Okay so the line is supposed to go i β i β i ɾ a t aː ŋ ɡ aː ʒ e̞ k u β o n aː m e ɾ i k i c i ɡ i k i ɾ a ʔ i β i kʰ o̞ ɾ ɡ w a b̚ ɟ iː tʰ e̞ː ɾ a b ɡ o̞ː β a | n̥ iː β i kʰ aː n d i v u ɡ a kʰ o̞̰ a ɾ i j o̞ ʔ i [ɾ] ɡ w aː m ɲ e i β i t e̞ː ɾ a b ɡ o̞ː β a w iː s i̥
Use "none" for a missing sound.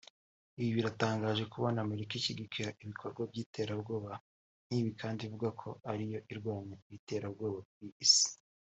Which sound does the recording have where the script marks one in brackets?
ɾ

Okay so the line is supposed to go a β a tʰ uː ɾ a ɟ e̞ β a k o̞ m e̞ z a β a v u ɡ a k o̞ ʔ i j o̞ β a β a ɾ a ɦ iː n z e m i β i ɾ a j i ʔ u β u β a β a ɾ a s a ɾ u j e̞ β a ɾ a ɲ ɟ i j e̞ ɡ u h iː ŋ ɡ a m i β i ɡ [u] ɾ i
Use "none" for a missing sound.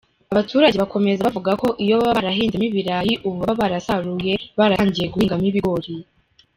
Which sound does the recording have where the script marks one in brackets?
o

